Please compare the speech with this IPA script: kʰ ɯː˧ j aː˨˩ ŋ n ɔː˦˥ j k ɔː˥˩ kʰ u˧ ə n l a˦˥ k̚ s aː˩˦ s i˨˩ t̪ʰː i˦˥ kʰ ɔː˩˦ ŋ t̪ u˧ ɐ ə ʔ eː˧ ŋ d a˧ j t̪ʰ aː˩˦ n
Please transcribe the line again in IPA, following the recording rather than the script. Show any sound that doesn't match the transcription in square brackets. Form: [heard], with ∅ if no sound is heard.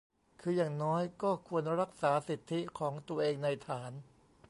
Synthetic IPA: kʰ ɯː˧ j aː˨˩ ŋ n ɔː˦˥ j k ɔː˥˩ kʰ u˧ ə n [ɾ] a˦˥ k̚ s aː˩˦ s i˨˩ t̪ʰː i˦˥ kʰ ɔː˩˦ ŋ t̪ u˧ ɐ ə ʔ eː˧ ŋ [n] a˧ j t̪ʰ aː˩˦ n